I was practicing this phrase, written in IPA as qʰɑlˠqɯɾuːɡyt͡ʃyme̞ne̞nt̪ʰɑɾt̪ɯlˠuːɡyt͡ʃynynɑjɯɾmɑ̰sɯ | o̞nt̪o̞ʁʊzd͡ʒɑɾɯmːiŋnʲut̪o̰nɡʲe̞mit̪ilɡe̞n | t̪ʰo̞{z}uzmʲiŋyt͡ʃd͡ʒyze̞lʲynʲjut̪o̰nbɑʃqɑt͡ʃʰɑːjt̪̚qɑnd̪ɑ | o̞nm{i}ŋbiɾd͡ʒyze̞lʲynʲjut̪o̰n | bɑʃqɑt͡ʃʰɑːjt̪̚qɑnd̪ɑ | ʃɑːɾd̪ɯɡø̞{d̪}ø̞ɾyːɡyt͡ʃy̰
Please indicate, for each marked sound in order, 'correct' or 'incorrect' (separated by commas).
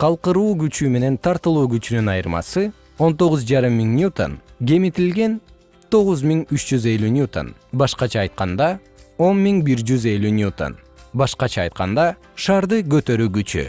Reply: incorrect, correct, incorrect